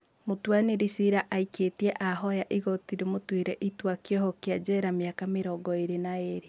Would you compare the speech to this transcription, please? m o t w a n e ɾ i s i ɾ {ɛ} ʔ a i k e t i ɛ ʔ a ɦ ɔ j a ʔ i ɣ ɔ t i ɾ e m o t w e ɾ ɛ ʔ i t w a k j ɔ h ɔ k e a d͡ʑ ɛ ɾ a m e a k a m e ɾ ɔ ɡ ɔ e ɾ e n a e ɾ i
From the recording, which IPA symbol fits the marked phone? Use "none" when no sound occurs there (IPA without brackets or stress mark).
a